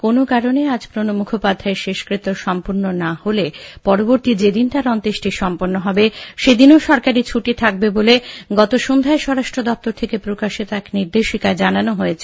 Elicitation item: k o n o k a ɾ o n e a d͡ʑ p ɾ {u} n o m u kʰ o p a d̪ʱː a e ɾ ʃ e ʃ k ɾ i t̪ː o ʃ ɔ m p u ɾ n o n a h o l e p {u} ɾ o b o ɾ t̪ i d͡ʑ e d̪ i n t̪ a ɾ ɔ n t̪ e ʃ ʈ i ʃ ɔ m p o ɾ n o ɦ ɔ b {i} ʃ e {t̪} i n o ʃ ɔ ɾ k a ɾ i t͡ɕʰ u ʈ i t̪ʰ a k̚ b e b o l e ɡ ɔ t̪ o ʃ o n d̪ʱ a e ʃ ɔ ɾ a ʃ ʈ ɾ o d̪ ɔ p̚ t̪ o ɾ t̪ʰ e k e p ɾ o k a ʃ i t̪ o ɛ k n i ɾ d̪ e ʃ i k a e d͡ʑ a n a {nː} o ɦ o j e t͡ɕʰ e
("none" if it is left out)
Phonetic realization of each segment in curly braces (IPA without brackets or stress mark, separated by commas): o, ɔ, e, d̪, n